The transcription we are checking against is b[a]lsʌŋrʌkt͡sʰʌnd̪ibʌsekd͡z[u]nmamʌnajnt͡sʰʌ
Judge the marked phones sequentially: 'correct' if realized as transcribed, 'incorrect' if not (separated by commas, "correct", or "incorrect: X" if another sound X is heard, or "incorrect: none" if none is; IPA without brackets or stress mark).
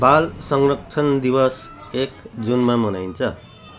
correct, correct